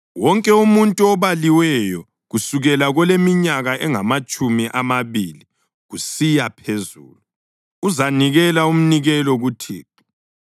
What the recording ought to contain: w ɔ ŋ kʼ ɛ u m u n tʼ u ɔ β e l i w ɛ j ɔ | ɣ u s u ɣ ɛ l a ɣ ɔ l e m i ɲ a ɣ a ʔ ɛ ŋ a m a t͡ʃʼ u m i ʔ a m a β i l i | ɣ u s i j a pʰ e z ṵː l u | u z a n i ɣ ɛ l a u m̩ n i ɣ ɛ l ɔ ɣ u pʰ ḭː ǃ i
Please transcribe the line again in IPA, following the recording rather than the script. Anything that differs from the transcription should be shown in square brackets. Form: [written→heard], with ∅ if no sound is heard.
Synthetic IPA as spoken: w ɔ ŋ kʼ ɛ u m u n tʼ u ɔ β [e→a] l i w ɛ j ɔ | ɣ u s u ɣ ɛ l a ɣ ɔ l e m i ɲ a ɣ a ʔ ɛ ŋ a m a t͡ʃʼ u m i ʔ a m a β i l i | ɣ u s i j a pʰ e z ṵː l u | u z a n i ɣ ɛ l a u m̩ n i ɣ ɛ l ɔ ɣ u [pʰ→tʰ] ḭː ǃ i

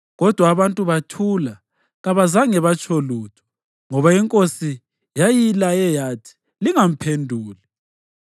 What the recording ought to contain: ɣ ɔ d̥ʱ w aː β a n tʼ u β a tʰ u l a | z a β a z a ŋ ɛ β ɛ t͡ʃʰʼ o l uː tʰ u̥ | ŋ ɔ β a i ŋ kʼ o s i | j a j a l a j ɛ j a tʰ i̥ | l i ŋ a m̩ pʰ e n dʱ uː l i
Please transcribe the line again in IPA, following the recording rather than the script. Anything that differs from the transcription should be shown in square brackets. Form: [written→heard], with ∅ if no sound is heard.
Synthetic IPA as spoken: ɣ ɔ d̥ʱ w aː β a n tʼ u β a tʰ u l a | [z→ɣ] a β a z a ŋ ɛ β [ɛ→a] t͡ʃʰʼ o l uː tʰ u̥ | ŋ ɔ β a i ŋ kʼ o s i | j a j [a→i] l a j ɛ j a tʰ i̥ | l i ŋ a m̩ pʰ e n dʱ uː l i

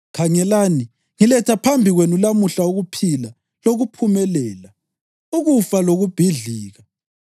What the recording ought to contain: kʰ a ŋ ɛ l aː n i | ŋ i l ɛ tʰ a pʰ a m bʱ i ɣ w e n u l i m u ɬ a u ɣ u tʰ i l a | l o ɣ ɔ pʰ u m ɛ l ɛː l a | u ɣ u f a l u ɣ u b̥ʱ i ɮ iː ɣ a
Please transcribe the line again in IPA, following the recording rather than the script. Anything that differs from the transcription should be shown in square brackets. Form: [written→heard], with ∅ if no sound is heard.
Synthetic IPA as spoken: kʰ a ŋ ɛ l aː n i | ŋ i l ɛ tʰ a pʰ a m bʱ i ɣ w e n u l [i→a] m u ɬ a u ɣ u [tʰ→pʰ] i l a | l o ɣ [ɔ→u] pʰ u m ɛ l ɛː l a | u ɣ u f a l [u→o] ɣ u b̥ʱ i ɮ iː ɣ a

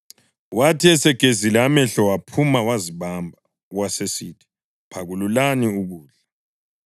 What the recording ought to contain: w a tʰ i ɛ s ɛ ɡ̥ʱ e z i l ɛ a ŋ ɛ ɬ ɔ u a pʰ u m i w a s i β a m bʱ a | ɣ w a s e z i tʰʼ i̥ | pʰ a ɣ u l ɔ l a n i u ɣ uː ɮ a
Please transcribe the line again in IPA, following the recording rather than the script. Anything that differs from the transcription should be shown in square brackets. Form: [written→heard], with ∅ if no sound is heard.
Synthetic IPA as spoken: w a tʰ i ɛ s ɛ ɡ̥ʱ e z i l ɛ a [ŋ→m] ɛ ɬ ɔ [u→w] a pʰ u m [i→a] w a [s→z] i β a m bʱ a | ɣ w a s e [z→s] i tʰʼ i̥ | pʰ a ɣ u l [ɔ→u] l a n i u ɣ uː ɮ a

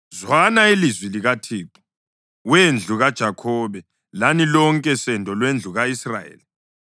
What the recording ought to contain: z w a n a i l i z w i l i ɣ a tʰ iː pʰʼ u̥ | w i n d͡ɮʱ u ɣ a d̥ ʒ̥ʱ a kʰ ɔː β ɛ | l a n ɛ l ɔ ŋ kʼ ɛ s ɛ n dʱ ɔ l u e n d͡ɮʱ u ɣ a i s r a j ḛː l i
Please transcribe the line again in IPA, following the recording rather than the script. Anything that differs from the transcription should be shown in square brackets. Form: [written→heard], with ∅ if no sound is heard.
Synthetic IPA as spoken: z w a n a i l i z w i l i ɣ a tʰ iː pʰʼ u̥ | w [i→e] n d͡ɮʱ u ɣ a d̥ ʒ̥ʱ a kʰ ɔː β ɛ | l a n [ɛ→i] l ɔ ŋ kʼ ɛ s ɛ n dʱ ɔ l [u→w] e n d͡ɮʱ u ɣ a i s r a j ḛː l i

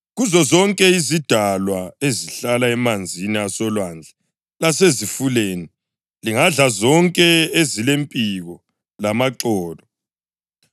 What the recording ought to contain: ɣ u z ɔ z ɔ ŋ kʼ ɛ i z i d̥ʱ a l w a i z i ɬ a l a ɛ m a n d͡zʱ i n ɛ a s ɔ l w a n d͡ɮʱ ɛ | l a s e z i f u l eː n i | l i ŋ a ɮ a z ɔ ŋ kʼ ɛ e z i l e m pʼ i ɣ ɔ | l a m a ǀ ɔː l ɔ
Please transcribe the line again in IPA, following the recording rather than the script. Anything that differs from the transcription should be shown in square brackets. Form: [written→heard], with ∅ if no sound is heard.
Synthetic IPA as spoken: ɣ u z ɔ z ɔ ŋ kʼ ɛ i z i d̥ʱ a l w a [i→e] z i ɬ a l a ɛ m a n d͡zʱ i n [ɛ→i] a s ɔ l w a n d͡ɮʱ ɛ | l a s e z i f u l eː n i | l i ŋ a ɮ a z ɔ ŋ kʼ ɛ e z i l e m pʼ i ɣ ɔ | l a m a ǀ ɔː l ɔ

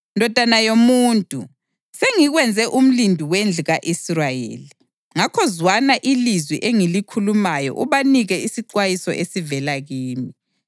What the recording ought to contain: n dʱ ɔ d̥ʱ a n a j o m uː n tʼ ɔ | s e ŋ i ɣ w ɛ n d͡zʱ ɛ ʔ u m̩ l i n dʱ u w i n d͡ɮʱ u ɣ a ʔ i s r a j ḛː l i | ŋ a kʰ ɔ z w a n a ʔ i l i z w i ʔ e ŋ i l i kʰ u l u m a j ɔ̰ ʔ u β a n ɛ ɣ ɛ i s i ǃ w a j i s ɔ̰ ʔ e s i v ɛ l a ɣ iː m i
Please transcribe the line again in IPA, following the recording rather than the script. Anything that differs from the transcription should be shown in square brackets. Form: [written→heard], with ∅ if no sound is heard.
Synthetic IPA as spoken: n dʱ ɔ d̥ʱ a n a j o m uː n tʼ [ɔ→u] | s e ŋ i ɣ w ɛ n d͡zʱ ɛ ʔ u m̩ l i n dʱ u w [i→e] n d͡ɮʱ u ɣ a ʔ i s r a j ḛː l i | ŋ a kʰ ɔ z w a n a ʔ i l i z w i ʔ e ŋ i l i kʰ u l u m a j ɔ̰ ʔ u β a n [ɛ→i] ɣ ɛ i s i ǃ w a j i s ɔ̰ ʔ e s i v ɛ l a ɣ iː m i

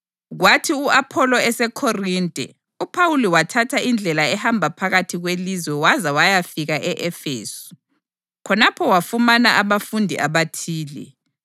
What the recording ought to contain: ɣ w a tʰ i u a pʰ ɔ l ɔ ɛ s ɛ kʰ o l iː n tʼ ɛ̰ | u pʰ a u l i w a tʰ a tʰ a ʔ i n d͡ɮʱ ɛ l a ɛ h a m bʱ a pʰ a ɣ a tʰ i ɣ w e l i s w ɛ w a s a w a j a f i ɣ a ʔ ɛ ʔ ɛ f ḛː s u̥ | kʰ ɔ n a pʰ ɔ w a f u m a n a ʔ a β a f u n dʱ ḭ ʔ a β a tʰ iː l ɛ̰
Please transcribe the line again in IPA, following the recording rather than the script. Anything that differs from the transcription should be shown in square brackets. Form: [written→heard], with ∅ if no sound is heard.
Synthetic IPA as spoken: ɣ w a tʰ i u a pʰ ɔ l ɔ ɛ s ɛ kʰ o [l→r] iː n tʼ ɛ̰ | u pʰ a u l i w a tʰ a tʰ a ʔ i n d͡ɮʱ ɛ l a ɛ h a m bʱ a pʰ a ɣ a tʰ i ɣ w e l i [s→z] w ɛ w a [s→z] a w a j a f i ɣ a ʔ ɛ ʔ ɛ f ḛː s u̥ | kʰ ɔ n a pʰ ɔ w a f u m a n a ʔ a β a f u n dʱ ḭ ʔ a β a tʰ iː l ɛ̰

